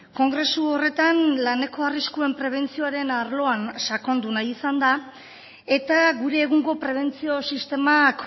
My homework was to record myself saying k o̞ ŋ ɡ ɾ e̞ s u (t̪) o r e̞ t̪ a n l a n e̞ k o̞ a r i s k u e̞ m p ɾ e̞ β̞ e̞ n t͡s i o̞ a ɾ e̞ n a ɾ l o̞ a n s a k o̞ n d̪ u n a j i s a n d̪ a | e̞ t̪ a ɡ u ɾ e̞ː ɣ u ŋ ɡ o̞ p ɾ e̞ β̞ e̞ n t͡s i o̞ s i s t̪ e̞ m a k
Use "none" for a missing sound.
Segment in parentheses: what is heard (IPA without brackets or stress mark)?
none